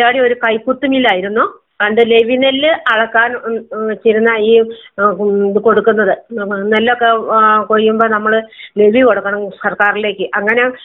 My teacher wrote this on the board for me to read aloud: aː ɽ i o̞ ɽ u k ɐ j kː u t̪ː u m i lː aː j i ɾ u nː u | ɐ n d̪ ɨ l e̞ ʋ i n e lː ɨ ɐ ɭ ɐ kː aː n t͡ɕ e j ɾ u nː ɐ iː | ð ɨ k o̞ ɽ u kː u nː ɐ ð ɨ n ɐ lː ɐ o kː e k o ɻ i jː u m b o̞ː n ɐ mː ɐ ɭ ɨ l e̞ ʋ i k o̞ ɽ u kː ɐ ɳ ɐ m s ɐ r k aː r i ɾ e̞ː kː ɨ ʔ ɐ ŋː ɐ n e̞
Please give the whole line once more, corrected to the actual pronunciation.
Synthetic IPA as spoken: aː ɽ i o̞ ɾ u k ɐ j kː u t̪ː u m i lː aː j i ɾ u nː u | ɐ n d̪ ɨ l e̞ ʋ i n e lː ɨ ɐ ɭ ɐ kː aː n t͡ɕ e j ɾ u nː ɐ iː | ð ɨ k o̞ ɽ u kː u nː ɐ ð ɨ n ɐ lː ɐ o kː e k o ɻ i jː u m b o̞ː n ɐ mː ɐ ɭ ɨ l e̞ ʋ i k o̞ ɽ u kː ɐ ɳ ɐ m s ɐ r k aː r i l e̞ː kː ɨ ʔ ɐ ŋː ɐ n e̞